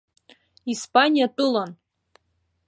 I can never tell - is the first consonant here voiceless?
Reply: yes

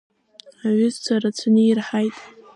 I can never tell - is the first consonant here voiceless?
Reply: no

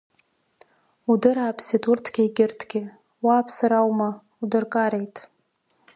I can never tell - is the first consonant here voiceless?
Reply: no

